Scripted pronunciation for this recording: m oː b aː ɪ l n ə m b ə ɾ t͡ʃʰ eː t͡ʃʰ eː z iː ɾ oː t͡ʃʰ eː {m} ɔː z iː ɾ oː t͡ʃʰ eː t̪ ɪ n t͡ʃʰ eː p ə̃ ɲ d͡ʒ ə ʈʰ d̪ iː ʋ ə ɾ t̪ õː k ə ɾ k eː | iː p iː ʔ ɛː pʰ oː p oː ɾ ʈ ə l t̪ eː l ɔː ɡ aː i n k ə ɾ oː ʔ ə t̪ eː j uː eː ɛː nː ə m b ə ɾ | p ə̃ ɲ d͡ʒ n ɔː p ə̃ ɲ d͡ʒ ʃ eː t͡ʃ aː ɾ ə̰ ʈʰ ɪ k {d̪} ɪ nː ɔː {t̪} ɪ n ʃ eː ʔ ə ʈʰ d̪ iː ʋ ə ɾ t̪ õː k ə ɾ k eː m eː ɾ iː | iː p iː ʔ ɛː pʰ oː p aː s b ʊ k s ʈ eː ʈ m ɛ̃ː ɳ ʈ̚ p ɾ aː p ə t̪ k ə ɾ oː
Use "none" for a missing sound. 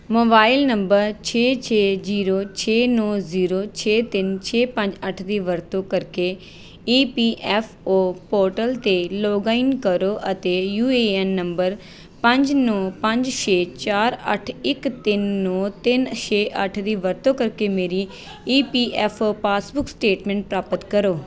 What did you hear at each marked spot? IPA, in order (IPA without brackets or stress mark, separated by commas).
n, t̪, t̪